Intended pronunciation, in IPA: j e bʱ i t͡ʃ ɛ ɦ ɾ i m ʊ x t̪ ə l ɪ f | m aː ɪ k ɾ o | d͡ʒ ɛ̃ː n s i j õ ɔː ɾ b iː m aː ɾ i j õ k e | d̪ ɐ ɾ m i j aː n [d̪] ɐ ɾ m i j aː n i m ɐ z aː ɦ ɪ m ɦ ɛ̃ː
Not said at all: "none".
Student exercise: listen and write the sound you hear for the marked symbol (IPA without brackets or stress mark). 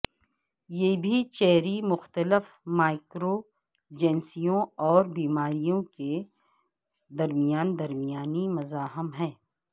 d̪